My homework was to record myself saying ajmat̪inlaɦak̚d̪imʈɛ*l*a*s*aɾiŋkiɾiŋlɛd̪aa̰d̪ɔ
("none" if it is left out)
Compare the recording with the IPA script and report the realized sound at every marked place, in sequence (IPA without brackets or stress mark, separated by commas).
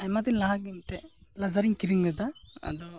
l, z